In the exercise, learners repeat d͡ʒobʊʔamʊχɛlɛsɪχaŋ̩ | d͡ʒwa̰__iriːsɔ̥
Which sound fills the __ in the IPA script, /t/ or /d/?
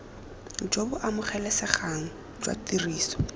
t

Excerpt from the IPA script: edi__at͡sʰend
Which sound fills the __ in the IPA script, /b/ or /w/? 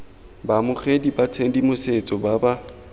b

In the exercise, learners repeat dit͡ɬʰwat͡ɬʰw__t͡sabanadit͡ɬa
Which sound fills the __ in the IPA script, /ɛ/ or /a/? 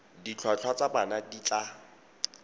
a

